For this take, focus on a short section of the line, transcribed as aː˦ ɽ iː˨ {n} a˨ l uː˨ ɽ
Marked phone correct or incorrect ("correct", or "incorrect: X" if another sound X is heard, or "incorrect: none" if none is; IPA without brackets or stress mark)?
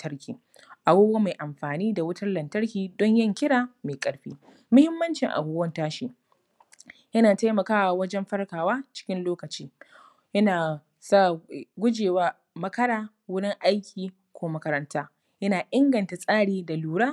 incorrect: d